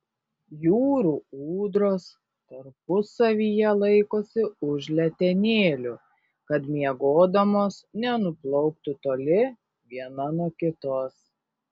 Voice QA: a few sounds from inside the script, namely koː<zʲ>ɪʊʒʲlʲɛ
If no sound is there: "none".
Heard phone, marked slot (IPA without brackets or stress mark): sʲ